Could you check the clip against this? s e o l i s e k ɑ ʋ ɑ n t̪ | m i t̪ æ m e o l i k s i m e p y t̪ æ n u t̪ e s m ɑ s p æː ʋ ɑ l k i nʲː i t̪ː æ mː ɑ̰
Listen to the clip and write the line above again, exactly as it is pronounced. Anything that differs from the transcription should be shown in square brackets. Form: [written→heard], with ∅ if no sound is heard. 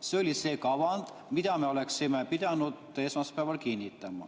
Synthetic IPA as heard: s e o l i s e k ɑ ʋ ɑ n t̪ | m i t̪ æ m e o l [i→e] k s i m e p [y→i] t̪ æ n u t̪ e s m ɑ s p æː ʋ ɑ l k i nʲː i t̪ː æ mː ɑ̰

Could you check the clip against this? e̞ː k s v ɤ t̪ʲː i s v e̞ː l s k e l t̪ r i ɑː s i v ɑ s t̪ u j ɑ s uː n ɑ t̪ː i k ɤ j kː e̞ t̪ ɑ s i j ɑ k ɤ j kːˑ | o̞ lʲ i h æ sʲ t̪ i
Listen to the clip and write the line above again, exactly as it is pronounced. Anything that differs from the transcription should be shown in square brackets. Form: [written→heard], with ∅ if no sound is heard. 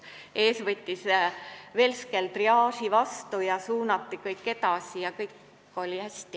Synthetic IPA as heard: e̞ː [k→∅] s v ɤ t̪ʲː i s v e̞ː l s k e l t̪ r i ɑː s i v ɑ s t̪ u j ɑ s uː n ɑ t̪ː i k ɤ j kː e̞ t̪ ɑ s i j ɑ k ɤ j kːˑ | o̞ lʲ i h æ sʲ t̪ i

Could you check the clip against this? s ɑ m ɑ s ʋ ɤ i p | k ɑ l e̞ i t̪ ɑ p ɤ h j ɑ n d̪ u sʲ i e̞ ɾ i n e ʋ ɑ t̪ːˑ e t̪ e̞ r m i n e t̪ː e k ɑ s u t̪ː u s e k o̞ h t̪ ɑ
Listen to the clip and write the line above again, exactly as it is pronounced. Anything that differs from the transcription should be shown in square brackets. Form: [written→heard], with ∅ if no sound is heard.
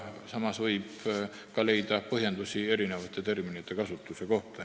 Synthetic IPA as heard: s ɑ m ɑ s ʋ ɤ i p | k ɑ l e̞ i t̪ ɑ p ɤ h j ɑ n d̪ u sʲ i e̞ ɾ i n e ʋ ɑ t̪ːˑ e t̪ e̞ r m i n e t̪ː e k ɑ s u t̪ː u s e k o̞ h t̪ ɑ

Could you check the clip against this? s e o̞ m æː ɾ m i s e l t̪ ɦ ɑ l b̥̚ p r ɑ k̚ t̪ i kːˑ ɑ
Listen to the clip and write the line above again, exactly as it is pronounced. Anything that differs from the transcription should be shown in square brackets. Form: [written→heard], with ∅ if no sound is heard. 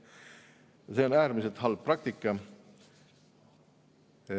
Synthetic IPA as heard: s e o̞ [m→n] æː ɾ m i s e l t̪ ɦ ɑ l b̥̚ p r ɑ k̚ t̪ i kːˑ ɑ

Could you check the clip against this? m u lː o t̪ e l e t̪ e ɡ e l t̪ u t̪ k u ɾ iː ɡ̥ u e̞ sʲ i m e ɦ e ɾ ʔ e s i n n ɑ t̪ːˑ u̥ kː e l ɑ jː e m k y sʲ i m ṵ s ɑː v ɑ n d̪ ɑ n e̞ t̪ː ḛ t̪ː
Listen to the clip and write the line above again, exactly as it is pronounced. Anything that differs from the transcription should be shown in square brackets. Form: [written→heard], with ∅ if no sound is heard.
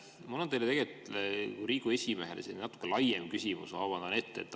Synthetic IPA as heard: m u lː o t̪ e l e t̪ e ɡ e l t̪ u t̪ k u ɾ iː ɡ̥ u e̞ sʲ i m e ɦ e [ɾ→l] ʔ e s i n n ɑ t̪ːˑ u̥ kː e l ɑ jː e m k y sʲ i m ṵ s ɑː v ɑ n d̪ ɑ n e̞ t̪ː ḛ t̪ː

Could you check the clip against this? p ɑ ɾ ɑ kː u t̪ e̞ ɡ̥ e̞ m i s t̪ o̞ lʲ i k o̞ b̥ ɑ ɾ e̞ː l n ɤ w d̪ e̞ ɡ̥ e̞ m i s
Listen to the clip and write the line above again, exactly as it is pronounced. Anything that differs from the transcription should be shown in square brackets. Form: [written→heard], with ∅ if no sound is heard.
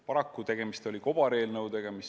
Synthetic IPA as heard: p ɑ ɾ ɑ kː u t̪ e̞ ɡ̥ e̞ m i s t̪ o̞ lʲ i k o̞ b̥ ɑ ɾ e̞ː l n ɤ w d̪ e̞ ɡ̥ e̞ m i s

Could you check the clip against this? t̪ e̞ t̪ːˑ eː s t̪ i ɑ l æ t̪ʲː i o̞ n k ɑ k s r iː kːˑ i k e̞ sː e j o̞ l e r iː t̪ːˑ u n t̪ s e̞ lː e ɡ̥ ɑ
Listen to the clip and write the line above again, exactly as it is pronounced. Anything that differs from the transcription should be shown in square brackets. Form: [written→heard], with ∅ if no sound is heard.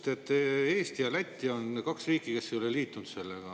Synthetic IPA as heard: t̪ e̞ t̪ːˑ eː s t̪ i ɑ l æ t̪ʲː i o̞ n k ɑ k s r iː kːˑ i k e̞ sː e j o̞ l e [r→l] iː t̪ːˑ u n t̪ s e̞ lː e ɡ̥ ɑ

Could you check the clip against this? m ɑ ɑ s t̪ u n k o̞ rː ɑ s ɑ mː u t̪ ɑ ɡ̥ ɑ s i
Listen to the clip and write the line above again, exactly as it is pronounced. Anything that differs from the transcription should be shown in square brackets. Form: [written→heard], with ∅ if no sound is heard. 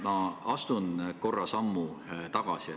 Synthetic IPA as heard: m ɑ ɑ s t̪ u n k o̞ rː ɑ s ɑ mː u t̪ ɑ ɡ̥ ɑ s i

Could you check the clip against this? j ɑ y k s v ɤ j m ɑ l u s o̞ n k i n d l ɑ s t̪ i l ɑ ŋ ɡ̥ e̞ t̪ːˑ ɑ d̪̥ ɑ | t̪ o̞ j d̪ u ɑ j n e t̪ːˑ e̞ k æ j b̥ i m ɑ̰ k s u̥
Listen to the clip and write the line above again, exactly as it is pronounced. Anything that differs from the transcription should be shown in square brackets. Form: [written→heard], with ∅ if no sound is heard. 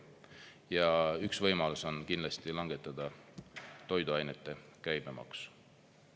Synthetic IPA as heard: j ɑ y k s v ɤ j m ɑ l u s o̞ n k i n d l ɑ s t̪ i l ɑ ŋ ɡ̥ e̞ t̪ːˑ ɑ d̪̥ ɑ | t̪ o̞ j d̪ u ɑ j n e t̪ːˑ e̞ k æ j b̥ [i→e] m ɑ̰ k s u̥

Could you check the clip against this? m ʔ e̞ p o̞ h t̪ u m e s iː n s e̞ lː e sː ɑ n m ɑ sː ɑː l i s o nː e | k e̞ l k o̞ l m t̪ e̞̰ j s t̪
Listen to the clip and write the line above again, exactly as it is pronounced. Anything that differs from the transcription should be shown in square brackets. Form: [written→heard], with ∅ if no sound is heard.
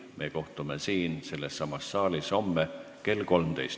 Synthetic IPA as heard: m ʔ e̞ [p→k] o̞ h t̪ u m e s iː n s e̞ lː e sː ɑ [n→∅] m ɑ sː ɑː l i s o [nː→mː] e | k e̞ l k o̞ l m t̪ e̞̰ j s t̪

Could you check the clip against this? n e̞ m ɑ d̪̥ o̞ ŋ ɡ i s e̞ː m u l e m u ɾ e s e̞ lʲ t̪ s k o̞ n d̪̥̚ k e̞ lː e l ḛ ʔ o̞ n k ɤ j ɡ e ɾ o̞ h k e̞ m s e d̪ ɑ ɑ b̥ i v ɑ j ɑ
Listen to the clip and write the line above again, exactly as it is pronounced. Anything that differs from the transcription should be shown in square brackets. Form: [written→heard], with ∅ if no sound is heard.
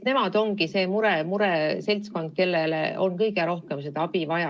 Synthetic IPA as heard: n e̞ m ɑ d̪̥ o̞ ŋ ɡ i s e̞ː m u [l→ɾ] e m u ɾ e s e̞ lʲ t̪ s k o̞ n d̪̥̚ k e̞ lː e l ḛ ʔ o̞ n k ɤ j ɡ e ɾ o̞ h k e̞ m s e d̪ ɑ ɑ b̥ i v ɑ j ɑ

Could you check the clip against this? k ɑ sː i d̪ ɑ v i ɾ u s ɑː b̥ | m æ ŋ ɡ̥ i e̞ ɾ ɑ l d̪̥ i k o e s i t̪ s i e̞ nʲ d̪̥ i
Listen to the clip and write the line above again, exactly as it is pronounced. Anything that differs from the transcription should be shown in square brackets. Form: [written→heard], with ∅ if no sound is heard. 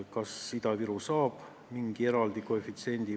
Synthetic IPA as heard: k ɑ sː i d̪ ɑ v i ɾ u s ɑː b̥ | m [æ→i] ŋ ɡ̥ i e̞ ɾ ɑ l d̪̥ i k o e [s→f] i t̪ s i e̞ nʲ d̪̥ i

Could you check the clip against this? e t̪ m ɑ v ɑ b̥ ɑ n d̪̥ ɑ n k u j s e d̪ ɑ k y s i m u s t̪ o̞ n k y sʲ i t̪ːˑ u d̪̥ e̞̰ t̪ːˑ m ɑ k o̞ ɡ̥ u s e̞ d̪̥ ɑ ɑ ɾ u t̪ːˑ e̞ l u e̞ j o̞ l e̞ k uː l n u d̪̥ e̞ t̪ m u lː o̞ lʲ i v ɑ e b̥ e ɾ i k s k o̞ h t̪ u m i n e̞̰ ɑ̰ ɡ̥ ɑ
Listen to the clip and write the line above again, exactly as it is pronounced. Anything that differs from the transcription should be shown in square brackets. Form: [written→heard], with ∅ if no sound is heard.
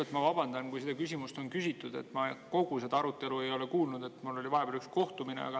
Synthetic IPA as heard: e t̪ m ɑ v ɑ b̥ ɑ n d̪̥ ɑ n k u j s e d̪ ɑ k y s i m u s t̪ o̞ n k y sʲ i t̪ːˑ u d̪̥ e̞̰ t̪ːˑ m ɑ k o̞ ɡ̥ u s e̞ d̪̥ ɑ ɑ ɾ u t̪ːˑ e̞ l u e̞ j o̞ l e̞ k uː l n u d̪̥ e̞ t̪ m u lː o̞ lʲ i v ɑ e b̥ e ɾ [i→y] k s k o̞ h t̪ u m i n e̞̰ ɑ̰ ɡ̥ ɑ

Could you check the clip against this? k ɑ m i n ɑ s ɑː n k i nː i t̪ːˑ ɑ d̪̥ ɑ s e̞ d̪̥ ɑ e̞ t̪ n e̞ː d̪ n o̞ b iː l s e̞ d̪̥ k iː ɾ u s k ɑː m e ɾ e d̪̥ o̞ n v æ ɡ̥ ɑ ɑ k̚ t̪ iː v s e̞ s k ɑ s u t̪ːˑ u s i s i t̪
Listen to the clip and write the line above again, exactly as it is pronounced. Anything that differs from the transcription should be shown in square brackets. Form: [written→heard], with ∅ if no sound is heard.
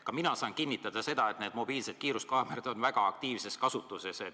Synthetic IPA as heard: k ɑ m i n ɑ s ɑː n k i nː i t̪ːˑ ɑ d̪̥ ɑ s e̞ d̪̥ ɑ e̞ t̪ n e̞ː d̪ [n→m] o̞ b iː l s e̞ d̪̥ k iː ɾ u s k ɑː m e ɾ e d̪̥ o̞ n v æ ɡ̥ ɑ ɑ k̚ t̪ iː v s e̞ s k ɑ s u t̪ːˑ u s [i→e] s [i→e] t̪

